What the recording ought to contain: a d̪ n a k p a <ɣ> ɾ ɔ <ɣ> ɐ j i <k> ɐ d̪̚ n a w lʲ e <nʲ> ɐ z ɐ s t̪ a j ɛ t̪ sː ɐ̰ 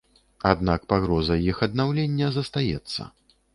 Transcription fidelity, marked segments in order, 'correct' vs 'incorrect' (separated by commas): correct, incorrect, incorrect, incorrect